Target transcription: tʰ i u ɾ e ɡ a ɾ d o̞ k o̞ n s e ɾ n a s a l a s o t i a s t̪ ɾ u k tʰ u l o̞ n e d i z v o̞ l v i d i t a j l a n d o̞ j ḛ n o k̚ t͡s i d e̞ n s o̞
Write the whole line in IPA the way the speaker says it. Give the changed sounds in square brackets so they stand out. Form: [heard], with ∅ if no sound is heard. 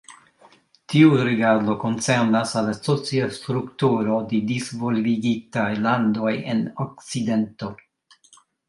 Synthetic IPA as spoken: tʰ i u ɾ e ɡ a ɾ d o̞ k o̞ n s e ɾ n a s a l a s o [t͡s] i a s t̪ ɾ u k [t] u [ɾ] o̞ [d] e d i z v o̞ l v i [ɡ] i t a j l a n d o̞ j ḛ n o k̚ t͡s i d e̞ n [t] o̞